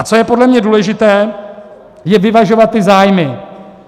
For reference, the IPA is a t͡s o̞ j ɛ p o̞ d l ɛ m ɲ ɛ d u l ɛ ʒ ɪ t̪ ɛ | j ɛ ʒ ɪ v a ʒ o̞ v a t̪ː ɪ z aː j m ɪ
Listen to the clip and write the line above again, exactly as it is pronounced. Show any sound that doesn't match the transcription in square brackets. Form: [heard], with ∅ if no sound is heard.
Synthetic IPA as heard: a t͡s o̞ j ɛ p o̞ d l ɛ m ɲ ɛ d [uː] l ɛ ʒ ɪ t̪ [ɛː] | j ɛ [v] ɪ v a ʒ o̞ v a t̪ː ɪ z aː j m ɪ